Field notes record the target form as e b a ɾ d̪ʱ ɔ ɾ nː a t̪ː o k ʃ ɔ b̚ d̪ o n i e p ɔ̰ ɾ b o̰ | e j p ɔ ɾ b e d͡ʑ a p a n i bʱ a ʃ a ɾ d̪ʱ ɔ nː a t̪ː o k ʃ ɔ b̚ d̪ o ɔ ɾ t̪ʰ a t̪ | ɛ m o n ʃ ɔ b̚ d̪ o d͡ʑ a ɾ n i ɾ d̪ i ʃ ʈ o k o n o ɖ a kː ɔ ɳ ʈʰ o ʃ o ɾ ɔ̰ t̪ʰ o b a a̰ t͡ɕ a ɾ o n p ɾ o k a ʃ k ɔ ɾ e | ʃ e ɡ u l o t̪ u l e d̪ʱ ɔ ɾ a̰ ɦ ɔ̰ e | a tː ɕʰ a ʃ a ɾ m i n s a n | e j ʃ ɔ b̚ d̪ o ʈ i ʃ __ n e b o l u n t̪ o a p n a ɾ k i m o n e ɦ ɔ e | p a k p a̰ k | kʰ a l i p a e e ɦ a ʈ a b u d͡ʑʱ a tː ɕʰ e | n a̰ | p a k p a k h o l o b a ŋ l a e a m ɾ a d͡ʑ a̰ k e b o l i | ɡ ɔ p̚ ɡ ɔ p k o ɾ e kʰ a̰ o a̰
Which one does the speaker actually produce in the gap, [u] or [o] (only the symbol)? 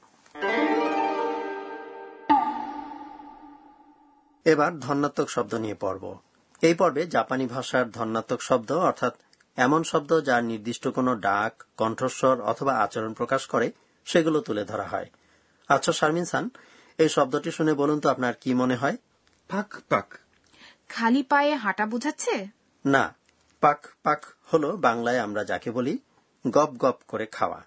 u